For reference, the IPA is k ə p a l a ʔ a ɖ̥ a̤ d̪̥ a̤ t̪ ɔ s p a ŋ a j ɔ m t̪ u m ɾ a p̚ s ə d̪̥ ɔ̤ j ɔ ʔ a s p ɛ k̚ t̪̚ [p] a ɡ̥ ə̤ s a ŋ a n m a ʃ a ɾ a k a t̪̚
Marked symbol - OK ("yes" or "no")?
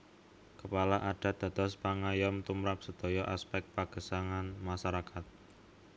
yes